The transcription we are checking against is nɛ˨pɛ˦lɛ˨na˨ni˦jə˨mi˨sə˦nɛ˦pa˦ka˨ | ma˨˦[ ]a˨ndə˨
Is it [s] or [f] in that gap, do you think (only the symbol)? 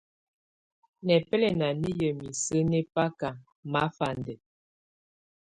f